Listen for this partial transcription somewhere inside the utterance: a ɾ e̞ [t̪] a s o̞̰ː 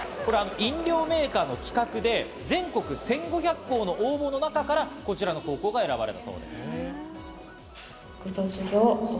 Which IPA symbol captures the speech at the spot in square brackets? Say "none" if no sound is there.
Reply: t̪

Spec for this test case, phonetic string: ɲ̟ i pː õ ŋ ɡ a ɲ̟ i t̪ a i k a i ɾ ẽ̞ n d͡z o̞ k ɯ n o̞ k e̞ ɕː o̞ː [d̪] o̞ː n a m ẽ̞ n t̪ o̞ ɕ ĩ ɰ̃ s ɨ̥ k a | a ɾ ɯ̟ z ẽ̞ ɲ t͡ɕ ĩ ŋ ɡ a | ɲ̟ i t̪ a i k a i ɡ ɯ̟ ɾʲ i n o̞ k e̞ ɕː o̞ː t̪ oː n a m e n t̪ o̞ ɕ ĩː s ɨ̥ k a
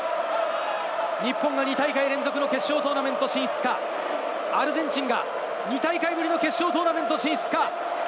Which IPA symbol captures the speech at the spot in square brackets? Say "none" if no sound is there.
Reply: t̪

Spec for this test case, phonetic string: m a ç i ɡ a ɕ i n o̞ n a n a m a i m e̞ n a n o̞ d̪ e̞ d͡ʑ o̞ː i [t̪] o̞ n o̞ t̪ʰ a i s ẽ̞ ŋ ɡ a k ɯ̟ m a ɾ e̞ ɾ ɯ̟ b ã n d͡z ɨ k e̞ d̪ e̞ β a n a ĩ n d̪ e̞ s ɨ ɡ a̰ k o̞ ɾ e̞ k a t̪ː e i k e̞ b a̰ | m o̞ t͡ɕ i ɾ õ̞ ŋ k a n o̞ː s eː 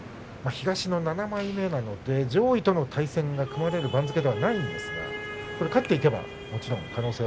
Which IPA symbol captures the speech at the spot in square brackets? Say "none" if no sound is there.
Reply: t̪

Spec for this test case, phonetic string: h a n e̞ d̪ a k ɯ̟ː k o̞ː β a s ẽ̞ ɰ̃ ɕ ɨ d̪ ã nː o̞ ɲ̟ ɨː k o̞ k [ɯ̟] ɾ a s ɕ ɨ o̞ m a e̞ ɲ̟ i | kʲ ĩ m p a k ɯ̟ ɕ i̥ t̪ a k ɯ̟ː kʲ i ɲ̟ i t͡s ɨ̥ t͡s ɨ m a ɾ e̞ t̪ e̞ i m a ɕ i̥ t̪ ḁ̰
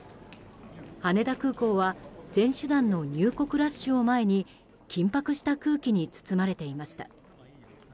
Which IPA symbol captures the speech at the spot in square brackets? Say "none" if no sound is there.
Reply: ɯ̟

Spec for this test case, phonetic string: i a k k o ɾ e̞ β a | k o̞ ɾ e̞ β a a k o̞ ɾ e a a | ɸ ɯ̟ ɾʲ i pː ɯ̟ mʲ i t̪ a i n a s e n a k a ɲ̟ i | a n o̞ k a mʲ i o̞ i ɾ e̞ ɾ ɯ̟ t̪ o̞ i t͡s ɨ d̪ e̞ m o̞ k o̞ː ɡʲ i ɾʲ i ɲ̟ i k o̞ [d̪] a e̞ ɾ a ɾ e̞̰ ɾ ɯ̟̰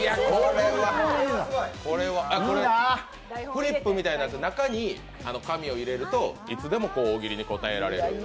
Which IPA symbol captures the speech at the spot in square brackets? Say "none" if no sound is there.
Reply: t̪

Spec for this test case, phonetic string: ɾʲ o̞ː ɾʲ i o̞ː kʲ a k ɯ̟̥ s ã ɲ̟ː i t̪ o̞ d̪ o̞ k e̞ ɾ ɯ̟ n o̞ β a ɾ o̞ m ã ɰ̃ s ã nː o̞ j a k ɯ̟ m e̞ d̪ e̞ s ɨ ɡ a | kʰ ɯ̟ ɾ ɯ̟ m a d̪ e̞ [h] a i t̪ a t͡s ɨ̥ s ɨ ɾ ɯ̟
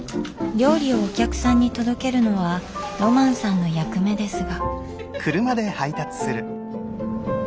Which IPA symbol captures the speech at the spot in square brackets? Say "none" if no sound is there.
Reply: h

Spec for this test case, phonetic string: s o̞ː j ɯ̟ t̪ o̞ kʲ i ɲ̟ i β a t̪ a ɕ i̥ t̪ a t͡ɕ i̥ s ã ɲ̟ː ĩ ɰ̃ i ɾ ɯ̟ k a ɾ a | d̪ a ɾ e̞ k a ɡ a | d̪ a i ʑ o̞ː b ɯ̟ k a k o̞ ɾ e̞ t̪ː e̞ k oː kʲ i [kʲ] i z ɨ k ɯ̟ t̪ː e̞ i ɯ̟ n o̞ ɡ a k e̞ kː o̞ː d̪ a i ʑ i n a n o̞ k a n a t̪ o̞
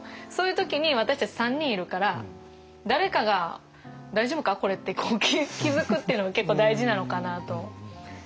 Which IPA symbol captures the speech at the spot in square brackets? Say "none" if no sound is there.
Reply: kʲ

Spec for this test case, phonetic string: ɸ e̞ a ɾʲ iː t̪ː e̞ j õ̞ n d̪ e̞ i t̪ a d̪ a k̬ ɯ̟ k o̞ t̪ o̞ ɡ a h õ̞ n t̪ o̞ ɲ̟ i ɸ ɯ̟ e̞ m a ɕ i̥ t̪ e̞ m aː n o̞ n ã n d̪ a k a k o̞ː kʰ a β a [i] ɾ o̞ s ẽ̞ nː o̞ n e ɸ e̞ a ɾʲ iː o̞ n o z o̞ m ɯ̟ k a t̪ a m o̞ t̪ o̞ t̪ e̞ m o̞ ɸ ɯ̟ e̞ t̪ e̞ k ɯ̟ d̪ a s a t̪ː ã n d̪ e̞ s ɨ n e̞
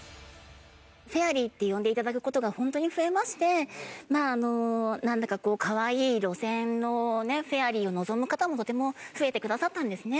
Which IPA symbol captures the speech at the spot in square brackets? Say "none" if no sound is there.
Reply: iː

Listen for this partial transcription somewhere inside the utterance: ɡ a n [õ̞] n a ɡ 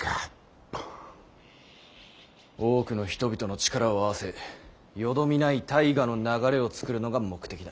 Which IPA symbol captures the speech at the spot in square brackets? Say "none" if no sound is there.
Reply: o̞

